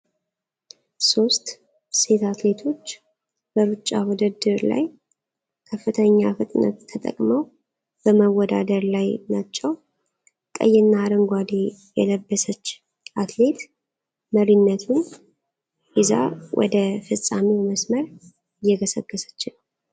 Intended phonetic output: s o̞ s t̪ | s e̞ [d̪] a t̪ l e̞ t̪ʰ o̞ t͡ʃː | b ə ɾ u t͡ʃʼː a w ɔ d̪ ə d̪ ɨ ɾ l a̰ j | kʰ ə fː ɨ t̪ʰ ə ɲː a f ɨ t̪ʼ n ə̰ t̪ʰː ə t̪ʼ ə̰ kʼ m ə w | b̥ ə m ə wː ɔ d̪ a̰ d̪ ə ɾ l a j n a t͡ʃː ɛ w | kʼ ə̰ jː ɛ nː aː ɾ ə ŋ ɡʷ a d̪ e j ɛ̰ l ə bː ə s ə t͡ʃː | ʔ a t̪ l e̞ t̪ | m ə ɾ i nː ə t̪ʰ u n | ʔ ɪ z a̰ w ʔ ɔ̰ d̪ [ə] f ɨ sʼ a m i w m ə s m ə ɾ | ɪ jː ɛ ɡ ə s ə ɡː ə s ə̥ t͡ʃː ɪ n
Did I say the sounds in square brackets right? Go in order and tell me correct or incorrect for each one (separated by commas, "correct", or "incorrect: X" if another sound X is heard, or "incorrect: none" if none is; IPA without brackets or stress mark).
incorrect: t̪, correct